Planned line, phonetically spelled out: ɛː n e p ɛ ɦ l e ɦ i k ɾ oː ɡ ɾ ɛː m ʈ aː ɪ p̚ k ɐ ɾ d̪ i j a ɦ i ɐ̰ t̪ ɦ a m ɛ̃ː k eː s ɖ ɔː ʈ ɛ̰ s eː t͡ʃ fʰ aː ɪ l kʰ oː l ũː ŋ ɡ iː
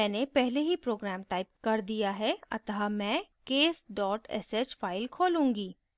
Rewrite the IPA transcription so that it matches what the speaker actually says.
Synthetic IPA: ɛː n e p ɛ ɦ l e ɦ i p ɾ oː ɡ ɾ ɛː m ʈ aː ɪ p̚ k ɐ ɾ d̪ i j a ɦ ɛ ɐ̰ t̪ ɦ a m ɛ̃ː k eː s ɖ ɔː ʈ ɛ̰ s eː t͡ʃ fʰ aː ɪ l kʰ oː l ũː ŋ ɡ iː